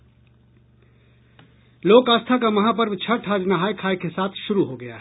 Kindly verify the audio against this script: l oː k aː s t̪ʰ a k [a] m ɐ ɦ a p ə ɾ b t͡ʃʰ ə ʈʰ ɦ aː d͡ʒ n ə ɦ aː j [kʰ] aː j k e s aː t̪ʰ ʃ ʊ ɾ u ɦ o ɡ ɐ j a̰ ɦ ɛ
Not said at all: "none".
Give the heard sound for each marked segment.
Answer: a, kʰ

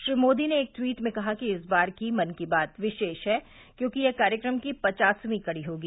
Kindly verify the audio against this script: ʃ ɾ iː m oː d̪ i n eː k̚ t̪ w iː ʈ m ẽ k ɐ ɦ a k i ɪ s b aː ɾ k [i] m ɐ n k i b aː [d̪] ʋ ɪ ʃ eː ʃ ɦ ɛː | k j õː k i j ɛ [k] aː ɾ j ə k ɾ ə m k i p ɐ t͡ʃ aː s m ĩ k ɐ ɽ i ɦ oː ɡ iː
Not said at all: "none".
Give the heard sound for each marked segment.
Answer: i, t̪, k

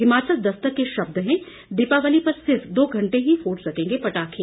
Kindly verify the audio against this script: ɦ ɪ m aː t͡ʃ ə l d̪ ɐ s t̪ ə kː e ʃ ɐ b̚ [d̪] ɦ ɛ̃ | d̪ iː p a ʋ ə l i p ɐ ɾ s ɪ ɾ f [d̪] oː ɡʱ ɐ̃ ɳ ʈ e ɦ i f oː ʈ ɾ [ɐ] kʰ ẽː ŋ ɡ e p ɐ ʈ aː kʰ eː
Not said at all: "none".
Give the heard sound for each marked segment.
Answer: d̪, d̪, ɐ

